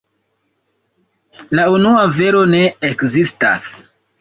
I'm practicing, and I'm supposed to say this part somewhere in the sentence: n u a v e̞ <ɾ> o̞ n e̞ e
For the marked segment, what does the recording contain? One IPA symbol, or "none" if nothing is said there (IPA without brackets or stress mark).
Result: ɾ